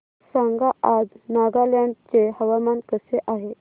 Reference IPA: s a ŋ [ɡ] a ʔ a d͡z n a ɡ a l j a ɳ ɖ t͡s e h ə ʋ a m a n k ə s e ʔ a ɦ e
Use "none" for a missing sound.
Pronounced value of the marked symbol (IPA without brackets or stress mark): ɡ